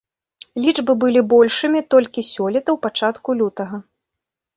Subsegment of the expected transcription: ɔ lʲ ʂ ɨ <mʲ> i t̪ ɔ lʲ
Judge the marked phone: correct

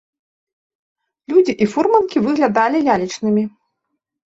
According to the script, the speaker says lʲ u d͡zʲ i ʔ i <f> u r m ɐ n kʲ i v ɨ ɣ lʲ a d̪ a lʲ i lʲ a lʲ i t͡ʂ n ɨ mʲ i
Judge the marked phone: correct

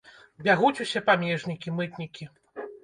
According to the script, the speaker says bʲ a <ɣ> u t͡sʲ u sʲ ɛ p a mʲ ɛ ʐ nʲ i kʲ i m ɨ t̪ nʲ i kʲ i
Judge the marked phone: correct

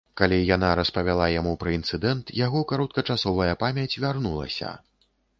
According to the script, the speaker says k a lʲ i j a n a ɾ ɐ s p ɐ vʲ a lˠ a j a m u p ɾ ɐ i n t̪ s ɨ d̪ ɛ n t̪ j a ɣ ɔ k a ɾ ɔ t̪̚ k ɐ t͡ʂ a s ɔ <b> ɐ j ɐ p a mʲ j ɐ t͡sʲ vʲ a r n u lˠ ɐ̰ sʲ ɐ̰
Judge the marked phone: incorrect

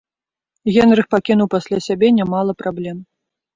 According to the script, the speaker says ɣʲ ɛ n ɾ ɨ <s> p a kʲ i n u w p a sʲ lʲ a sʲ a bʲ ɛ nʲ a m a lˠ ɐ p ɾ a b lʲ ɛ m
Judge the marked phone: incorrect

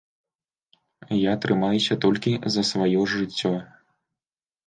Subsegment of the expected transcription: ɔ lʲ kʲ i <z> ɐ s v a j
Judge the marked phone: correct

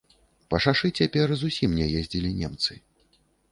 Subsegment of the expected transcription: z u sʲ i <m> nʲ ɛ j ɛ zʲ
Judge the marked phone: correct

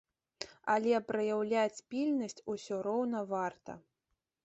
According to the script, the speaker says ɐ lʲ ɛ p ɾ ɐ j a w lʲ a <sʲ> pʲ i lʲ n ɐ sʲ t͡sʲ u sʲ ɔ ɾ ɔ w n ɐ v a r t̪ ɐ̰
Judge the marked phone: incorrect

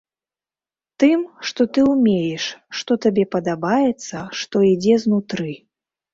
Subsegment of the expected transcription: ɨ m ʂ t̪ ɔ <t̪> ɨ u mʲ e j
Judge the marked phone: correct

